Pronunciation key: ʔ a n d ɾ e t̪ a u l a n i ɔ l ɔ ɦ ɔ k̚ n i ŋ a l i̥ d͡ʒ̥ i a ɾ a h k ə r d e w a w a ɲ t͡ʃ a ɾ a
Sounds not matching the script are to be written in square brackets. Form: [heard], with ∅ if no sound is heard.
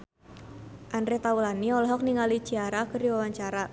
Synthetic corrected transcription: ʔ a n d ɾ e t̪ a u l a n i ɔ l ɔ ɦ ɔ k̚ n i ŋ a l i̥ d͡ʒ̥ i a ɾ a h k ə r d [i] w a w a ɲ t͡ʃ a ɾ a

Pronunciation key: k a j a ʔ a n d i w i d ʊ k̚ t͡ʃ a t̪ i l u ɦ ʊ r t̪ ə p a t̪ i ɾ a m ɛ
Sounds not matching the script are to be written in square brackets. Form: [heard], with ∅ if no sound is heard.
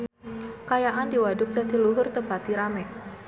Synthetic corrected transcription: k a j a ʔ a n d i w [a] d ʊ k̚ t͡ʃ a t̪ i l u ɦ ʊ r t̪ ə p a t̪ i ɾ a m ɛ

